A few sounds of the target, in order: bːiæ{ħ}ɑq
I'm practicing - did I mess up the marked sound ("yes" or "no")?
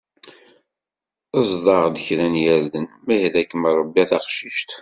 yes